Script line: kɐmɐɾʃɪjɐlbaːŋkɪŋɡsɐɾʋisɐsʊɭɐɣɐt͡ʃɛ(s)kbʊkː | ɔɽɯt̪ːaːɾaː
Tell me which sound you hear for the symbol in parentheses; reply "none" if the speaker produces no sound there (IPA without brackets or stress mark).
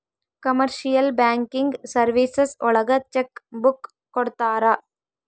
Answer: none